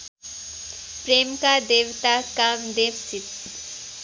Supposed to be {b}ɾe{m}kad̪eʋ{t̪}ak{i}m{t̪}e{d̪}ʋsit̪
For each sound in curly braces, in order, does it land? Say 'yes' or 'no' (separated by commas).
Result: no, yes, yes, no, no, no